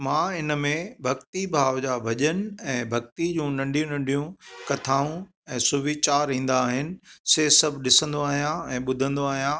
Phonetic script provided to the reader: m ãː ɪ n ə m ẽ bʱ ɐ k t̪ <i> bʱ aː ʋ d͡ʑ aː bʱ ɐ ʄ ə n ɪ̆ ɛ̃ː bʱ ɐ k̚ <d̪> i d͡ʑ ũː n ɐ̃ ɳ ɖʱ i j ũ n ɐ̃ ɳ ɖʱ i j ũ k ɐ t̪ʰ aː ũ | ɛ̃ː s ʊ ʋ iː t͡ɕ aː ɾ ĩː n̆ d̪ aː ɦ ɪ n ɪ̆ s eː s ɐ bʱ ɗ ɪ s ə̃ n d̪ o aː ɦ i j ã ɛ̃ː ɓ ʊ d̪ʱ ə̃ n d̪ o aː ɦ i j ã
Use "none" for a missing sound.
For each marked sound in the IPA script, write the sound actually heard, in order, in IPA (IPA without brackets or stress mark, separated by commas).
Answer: i, t̪